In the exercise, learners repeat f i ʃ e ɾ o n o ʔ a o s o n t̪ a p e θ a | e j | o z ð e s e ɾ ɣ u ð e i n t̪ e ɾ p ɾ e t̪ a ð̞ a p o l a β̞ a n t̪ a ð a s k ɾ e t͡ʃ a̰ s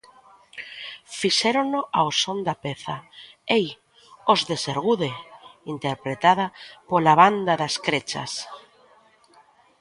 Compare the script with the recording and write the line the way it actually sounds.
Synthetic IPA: f i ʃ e ɾ o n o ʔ a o s o n d̪ a p e θ a | e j | o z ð e s e ɾ ɣ u ð e i n t̪ e ɾ p ɾ e t̪ a ð̞ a p o l a β̞ a n d̪ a ð a s k ɾ e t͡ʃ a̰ s